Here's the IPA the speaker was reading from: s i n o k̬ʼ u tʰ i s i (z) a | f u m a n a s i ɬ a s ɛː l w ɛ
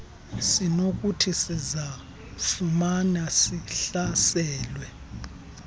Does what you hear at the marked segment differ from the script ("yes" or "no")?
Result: no